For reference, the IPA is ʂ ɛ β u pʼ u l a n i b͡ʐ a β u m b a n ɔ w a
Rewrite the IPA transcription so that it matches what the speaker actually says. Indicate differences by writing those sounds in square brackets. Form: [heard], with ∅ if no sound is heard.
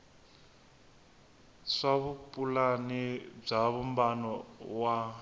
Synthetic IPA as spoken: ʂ [a] β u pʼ u l a n i b͡ʐ a β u m b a n ɔ w a